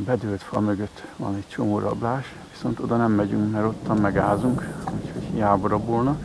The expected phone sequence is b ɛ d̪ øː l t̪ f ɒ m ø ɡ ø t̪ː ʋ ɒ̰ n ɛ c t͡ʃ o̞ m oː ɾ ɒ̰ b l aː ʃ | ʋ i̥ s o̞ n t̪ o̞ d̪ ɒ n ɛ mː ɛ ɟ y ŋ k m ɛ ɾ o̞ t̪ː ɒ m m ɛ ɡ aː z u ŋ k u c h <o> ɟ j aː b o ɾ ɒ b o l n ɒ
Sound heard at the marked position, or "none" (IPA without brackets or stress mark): o